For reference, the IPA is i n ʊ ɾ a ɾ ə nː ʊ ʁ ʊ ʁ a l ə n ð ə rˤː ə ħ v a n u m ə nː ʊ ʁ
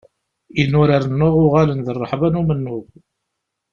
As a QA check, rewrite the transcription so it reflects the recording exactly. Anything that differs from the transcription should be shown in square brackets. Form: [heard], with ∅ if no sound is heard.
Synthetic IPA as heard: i n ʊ ɾ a ɾ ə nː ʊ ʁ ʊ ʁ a l ə n ð ə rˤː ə ħ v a n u m ə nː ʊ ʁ